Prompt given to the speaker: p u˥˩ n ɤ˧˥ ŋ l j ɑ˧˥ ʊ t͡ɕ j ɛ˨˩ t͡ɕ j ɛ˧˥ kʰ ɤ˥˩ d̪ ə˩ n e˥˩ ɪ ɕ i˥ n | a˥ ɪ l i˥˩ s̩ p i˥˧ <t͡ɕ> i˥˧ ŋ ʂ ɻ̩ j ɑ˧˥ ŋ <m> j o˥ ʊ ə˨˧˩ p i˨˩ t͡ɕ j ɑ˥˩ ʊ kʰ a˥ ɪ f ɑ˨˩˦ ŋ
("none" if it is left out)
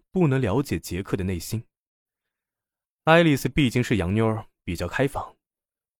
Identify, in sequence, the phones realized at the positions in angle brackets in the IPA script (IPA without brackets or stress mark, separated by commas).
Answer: t͡ɕ, n